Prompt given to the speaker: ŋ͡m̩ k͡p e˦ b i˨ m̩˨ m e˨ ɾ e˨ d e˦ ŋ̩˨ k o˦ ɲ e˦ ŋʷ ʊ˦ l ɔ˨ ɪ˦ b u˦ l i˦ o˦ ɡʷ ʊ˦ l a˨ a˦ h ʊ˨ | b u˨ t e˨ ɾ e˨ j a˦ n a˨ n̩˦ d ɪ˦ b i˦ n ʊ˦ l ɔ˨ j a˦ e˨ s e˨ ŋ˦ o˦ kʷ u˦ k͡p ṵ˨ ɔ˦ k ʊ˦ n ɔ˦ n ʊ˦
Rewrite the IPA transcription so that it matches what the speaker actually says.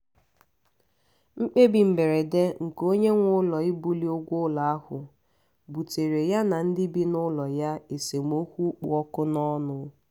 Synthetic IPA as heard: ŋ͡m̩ k͡p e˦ b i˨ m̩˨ b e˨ ɾ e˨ d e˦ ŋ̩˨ k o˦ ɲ e˦ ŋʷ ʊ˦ l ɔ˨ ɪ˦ b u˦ l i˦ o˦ ɡʷ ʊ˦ l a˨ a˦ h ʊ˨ | b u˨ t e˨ ɾ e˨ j a˦ n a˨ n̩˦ d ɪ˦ b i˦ n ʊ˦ l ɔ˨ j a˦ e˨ s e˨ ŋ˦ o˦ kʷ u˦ k͡p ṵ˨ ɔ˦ k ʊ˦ n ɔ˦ n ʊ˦

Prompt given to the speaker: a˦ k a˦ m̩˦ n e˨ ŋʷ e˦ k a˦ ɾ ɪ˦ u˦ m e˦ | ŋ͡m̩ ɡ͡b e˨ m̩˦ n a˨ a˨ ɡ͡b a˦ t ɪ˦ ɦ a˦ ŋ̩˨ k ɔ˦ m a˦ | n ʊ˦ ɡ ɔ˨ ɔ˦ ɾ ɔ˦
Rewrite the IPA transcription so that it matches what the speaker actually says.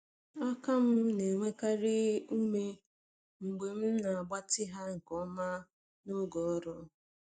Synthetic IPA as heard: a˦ k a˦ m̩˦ n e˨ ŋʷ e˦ k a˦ ɾ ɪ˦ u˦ m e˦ | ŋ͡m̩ ɡ͡b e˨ m̩˦ n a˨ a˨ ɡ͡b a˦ t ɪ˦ ɦ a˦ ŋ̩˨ k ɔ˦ m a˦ | n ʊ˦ ɡ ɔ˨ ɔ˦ ɾ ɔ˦

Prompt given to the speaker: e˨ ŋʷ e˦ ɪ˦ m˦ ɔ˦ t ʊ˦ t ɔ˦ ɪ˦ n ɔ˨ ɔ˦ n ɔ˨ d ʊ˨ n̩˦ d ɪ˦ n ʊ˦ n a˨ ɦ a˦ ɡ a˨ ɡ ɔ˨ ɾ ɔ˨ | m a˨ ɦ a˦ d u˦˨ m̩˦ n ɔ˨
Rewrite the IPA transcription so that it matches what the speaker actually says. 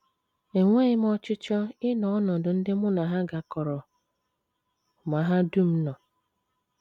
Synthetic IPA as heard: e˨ ŋʷ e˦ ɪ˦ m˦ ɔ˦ t͡ʃ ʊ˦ t͡ʃ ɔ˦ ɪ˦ n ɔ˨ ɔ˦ n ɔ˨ d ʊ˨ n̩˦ d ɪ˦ m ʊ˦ n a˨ ɦ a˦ ɡ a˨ k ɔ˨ ɾ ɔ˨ | m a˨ ɦ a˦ d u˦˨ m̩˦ n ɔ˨

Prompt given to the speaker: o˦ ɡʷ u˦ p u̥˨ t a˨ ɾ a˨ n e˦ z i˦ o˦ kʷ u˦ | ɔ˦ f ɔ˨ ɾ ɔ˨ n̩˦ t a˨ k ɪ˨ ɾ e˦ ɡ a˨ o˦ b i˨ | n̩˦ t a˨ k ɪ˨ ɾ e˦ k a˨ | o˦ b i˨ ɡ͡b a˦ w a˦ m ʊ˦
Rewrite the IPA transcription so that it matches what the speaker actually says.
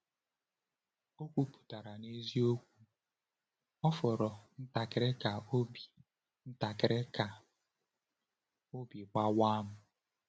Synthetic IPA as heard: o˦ kʷ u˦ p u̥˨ t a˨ ɾ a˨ n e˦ z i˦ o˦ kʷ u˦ | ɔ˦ f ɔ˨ ɾ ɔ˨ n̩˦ t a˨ k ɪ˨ ɾ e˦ k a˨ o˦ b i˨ | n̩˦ t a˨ k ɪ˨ ɾ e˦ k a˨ | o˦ b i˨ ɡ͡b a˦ w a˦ m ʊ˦

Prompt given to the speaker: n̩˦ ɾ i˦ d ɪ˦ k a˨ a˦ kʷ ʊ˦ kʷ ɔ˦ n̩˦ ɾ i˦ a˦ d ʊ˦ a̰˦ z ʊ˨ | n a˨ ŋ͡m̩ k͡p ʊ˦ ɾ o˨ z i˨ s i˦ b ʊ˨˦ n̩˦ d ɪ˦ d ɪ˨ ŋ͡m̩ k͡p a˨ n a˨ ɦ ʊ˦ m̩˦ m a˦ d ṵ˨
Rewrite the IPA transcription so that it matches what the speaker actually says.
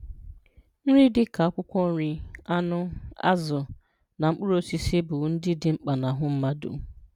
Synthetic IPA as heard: n̩˦ ɾ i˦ d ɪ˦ k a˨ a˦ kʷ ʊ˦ kʷ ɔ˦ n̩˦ ɾ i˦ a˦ n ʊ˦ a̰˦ z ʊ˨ | n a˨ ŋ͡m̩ k͡p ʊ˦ ɾ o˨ s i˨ s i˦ b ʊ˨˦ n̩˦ d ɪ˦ d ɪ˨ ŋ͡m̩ k͡p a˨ n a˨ ɦ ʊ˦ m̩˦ m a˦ d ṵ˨

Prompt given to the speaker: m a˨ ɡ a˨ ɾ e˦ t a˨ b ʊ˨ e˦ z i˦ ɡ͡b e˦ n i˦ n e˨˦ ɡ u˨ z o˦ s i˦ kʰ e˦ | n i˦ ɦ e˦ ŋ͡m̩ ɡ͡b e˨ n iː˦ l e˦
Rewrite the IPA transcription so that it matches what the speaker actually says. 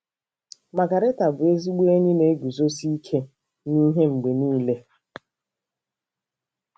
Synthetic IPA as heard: m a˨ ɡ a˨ ɾ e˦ t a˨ b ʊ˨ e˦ z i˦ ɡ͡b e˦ ɲ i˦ n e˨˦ ɡ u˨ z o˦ s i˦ kʰ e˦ | n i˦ ɦ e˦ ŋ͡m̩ ɡ͡b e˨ n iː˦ l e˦

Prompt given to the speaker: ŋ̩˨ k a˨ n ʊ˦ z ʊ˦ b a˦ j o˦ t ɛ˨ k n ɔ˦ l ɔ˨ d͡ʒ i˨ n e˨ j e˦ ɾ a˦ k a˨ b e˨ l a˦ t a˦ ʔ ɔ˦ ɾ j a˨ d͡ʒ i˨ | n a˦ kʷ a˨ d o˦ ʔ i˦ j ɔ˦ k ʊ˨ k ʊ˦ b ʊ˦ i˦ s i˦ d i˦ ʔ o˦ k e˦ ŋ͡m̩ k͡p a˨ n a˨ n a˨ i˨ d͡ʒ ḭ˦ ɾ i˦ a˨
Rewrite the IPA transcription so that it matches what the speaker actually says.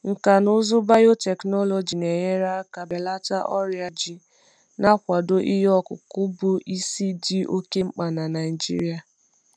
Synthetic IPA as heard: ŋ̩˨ k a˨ n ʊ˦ z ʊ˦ b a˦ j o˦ t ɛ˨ k n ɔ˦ l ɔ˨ d͡ʒ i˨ n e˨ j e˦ ɾ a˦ k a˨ b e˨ l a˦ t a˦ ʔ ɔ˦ ɾ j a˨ d͡ʒ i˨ | n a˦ kʷ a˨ d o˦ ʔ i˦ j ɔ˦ k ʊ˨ k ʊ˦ b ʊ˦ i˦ s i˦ d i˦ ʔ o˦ k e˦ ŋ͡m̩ k͡p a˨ n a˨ n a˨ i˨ d͡ʒ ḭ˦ ɾ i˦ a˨

